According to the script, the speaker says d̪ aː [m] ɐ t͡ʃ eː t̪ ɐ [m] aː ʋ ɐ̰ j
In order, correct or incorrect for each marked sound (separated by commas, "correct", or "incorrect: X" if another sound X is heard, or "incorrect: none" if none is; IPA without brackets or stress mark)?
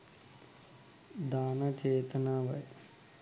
incorrect: n, incorrect: n